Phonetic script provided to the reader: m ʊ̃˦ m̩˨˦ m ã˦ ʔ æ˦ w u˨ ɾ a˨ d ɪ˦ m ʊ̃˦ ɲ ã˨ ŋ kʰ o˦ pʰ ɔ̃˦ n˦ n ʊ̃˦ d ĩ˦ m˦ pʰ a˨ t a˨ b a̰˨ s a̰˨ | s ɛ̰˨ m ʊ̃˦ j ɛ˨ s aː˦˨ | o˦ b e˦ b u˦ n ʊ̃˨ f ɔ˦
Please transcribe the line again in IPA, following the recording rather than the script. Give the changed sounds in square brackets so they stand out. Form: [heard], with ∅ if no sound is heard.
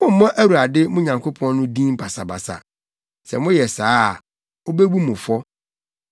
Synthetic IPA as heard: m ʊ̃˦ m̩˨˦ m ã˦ ʔ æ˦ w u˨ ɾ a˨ d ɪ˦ m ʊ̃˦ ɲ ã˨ ŋ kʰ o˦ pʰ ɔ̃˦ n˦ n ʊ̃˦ d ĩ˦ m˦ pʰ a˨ [s] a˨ b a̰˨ s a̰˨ | s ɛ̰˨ m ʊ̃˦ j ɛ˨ s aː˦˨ | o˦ b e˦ b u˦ [m] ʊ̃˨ f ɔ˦

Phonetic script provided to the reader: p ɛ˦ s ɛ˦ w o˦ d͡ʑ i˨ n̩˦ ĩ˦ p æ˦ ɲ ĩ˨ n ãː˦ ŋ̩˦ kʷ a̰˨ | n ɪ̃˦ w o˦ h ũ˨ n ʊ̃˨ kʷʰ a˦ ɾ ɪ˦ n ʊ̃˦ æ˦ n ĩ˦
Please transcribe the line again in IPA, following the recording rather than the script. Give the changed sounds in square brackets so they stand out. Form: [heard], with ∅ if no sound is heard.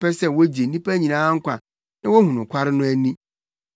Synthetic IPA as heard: p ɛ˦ s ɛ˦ w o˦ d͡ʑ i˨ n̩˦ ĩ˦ p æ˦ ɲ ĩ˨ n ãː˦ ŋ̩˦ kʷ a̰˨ | n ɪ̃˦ w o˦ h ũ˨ n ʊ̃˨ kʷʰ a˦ ɾ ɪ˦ n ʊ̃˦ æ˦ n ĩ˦

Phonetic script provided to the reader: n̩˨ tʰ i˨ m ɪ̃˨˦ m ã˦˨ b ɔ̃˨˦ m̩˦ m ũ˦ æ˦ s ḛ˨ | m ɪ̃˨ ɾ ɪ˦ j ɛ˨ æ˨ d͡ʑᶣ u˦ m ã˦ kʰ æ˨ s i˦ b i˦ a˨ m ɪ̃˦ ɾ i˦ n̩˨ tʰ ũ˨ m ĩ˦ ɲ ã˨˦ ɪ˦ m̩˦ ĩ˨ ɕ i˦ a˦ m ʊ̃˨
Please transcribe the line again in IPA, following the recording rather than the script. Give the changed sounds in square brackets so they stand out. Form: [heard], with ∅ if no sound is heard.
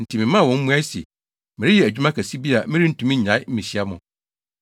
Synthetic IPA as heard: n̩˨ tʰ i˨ m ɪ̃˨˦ m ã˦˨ [w] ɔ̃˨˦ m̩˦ m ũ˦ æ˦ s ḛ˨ | m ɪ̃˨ ɾ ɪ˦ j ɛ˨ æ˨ d͡ʑᶣ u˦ m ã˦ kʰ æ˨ s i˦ b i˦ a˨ m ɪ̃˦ ɾ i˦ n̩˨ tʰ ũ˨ m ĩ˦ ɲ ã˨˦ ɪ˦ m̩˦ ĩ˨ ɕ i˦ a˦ m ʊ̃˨

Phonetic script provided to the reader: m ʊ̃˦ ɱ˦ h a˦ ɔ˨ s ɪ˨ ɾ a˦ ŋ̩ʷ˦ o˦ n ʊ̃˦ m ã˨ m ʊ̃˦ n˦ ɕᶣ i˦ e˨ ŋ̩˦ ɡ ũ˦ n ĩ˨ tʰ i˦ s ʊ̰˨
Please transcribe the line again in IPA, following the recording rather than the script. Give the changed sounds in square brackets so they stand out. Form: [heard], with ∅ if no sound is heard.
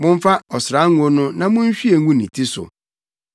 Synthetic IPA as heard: m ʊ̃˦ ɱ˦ [f] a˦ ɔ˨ s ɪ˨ ɾ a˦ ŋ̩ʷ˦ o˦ n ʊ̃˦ [n] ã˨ m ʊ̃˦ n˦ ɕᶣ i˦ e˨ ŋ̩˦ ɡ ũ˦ n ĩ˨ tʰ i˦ s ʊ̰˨

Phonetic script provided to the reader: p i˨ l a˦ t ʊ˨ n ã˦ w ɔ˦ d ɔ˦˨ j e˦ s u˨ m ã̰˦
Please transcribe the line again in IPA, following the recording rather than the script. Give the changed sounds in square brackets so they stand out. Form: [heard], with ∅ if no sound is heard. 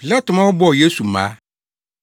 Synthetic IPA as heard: p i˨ l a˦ t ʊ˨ [m] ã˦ w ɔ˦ [b] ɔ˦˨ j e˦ s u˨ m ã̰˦

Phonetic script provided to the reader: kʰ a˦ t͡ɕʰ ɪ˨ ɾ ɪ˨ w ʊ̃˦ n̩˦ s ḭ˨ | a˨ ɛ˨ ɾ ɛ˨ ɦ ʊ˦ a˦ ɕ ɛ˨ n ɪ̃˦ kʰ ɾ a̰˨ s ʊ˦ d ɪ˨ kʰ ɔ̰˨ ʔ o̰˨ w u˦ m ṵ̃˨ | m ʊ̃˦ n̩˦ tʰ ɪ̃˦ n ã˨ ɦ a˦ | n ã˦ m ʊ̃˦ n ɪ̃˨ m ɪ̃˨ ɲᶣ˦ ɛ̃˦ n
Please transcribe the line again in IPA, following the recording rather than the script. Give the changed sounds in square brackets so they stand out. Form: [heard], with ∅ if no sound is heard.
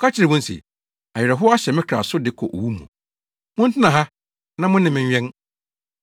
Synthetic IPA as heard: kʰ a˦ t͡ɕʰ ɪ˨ ɾ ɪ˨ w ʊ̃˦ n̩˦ s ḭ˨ | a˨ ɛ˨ ɾ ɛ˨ ɦ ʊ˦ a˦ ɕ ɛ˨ [m] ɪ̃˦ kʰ ɾ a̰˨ s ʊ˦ d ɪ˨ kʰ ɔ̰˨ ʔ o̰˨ w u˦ m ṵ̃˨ | m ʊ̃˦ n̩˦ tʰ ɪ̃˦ n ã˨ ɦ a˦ | n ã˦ m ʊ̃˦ n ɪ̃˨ m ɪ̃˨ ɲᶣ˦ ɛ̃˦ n

